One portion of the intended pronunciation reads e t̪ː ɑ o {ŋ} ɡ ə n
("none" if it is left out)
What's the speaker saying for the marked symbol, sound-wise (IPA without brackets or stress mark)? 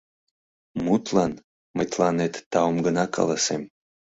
m